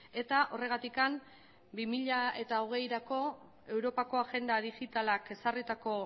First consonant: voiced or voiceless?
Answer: voiceless